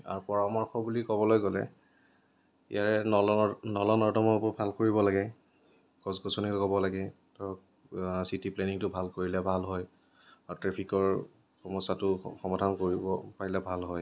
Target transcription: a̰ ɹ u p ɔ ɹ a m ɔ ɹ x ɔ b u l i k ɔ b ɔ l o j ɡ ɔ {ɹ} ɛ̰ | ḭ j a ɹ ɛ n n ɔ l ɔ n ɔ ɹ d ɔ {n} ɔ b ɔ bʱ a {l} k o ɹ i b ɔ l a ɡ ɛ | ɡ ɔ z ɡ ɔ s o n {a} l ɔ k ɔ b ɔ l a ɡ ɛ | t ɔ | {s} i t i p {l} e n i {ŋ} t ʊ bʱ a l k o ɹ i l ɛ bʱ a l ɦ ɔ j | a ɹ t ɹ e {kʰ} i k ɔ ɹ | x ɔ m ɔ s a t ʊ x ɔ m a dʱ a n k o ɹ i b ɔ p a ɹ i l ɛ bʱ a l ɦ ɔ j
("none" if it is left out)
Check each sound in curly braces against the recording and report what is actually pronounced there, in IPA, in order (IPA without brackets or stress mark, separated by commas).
l, m, l, i, s, l, ŋ, pʰ